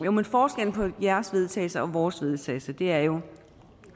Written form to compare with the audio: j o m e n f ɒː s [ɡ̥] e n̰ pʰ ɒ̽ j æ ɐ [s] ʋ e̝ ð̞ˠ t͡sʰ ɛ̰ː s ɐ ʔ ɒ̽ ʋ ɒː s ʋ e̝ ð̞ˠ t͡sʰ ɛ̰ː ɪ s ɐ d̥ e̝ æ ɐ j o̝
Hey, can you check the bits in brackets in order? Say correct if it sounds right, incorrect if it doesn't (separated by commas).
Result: correct, correct